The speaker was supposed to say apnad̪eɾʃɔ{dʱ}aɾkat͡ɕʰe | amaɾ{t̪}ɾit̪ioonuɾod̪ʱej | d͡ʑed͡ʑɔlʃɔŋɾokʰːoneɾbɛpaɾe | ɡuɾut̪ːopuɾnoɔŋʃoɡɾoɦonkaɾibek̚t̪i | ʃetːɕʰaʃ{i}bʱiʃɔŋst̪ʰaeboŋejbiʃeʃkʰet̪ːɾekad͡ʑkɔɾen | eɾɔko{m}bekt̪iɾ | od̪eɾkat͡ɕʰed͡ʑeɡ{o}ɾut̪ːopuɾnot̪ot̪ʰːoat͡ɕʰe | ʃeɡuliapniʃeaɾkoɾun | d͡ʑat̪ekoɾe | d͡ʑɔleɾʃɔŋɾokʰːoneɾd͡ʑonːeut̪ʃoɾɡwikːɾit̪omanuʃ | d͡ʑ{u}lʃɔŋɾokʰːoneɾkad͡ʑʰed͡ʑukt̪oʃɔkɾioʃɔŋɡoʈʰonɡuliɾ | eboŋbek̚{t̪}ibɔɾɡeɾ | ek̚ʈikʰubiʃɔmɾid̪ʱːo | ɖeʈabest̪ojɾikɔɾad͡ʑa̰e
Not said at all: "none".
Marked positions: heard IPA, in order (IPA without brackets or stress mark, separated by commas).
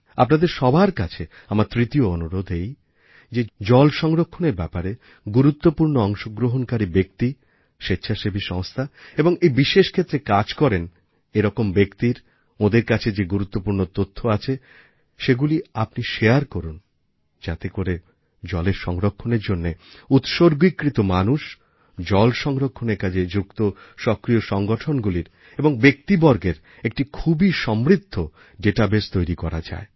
bʱ, t̪, e, m, u, ɔ, t̪